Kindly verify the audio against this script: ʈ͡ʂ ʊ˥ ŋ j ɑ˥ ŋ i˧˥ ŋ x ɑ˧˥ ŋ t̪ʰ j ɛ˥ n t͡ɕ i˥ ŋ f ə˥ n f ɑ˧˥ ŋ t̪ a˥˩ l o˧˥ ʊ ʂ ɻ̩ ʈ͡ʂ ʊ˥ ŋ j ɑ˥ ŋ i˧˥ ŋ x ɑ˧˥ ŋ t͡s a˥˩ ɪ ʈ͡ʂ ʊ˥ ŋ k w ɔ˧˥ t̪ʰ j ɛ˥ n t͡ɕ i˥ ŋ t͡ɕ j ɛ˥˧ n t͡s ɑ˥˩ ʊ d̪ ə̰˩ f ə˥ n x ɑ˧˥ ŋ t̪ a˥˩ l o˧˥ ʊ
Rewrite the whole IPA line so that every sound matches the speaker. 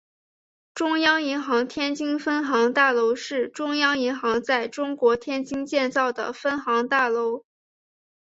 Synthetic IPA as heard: ʈ͡ʂ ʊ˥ ŋ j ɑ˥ ŋ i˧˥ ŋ x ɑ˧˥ ŋ t̪ʰ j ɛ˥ n t͡ɕ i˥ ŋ f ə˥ n x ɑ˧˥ ŋ t̪ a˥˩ l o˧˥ ʊ ʂ ɻ̩ ʈ͡ʂ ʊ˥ ŋ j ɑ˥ ŋ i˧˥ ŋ x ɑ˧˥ ŋ t͡s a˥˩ ɪ ʈ͡ʂ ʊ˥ ŋ k w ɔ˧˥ t̪ʰ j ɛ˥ n t͡ɕ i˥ ŋ t͡ɕ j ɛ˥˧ n t͡s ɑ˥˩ ʊ d̪ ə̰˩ f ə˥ n x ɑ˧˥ ŋ t̪ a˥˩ l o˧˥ ʊ